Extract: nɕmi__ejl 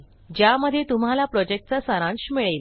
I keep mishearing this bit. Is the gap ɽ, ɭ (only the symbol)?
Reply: ɭ